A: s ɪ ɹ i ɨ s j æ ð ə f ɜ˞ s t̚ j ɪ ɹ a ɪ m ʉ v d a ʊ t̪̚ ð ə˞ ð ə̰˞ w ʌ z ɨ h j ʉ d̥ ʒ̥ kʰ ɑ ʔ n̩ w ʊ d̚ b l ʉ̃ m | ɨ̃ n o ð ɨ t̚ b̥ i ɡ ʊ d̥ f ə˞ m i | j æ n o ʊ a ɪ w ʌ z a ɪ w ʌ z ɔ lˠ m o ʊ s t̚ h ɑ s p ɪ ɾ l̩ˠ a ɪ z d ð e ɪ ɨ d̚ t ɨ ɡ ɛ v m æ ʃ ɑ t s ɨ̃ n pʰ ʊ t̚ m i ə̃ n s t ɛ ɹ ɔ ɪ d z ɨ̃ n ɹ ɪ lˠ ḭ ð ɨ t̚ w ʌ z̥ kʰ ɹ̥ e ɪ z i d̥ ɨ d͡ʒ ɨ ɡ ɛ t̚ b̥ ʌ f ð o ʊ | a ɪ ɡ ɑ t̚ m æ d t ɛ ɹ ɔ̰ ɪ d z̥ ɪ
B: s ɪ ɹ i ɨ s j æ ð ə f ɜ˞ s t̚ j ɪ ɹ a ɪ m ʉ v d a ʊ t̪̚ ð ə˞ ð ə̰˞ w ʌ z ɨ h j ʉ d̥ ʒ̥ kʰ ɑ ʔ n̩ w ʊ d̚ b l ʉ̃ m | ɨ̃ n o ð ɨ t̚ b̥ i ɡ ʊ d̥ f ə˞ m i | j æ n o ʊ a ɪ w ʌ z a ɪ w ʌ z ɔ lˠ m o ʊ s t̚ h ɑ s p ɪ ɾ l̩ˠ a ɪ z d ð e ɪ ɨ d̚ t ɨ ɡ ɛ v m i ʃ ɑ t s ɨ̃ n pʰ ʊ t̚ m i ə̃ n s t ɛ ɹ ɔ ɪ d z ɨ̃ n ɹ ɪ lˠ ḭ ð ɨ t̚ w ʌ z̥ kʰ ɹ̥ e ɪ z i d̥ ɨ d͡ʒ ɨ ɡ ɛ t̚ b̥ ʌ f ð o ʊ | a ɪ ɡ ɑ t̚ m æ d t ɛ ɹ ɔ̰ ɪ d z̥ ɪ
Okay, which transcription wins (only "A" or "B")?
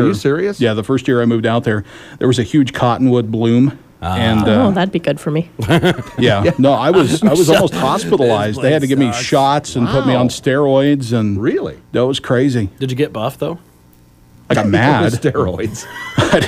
B